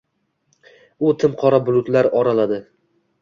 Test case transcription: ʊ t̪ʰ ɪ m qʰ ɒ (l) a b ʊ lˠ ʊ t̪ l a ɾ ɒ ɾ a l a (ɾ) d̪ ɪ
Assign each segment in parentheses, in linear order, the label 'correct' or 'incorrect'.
incorrect: ɾ, incorrect: none

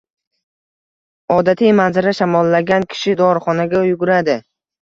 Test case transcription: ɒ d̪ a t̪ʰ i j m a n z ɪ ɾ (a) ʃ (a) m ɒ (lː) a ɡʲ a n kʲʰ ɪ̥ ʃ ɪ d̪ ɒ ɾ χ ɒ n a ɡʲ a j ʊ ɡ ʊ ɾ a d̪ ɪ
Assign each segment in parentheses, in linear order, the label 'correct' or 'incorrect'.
correct, correct, correct

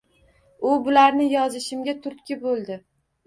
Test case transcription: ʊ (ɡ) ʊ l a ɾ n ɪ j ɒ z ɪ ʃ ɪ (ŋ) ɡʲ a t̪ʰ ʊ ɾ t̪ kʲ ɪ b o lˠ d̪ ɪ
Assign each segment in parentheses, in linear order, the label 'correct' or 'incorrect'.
incorrect: b, incorrect: m

